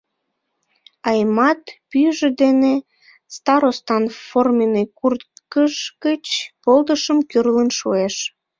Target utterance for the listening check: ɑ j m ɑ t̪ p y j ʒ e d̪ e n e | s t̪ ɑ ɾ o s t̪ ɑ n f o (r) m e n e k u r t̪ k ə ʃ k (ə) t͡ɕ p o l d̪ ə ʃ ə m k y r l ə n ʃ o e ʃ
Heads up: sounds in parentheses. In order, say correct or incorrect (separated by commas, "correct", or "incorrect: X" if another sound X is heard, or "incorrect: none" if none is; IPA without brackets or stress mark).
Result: correct, correct